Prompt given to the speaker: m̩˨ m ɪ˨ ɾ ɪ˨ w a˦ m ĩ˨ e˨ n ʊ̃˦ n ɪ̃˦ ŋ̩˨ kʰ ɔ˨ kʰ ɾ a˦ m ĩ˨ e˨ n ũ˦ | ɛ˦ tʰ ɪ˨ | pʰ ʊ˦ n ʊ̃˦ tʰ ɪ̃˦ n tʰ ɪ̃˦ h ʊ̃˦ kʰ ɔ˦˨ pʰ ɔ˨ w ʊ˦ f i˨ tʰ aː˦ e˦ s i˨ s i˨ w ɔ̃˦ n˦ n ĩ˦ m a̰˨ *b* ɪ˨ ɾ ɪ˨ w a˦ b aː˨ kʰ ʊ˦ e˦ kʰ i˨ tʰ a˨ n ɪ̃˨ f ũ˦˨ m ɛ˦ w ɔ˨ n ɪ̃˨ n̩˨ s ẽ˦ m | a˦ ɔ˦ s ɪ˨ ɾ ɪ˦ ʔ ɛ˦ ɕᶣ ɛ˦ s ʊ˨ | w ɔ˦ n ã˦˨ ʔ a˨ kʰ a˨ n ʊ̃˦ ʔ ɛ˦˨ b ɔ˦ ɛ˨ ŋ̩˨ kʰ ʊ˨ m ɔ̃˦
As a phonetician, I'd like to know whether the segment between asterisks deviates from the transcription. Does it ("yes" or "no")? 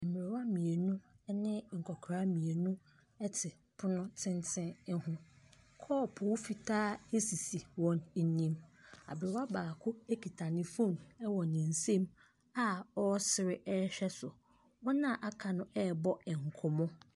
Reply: no